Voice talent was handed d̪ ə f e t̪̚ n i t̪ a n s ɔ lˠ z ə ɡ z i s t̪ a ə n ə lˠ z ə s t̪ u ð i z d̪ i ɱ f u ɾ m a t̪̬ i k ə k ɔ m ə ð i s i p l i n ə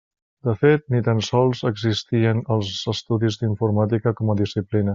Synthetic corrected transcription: d̪ ə f e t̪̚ n i t̪ a n s ɔ lˠ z ə ɡ z i s t̪ i ə n ə lˠ z ə s t̪ u ð i z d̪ i ɱ f u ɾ m a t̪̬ i k ə k ɔ m ə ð i s i p l i n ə